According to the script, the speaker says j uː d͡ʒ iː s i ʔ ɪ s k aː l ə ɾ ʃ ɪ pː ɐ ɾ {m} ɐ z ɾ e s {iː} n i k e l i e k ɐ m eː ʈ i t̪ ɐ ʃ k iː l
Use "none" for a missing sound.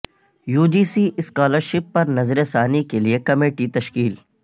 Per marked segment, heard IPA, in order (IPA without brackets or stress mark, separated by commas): n, aː